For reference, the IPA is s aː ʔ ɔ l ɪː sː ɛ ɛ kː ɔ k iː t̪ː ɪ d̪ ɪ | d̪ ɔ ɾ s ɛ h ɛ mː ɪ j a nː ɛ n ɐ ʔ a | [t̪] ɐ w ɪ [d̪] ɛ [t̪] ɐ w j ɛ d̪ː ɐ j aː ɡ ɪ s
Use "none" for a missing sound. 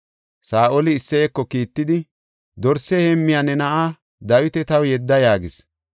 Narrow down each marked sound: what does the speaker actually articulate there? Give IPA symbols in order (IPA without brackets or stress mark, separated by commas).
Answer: d̪, t̪, t̪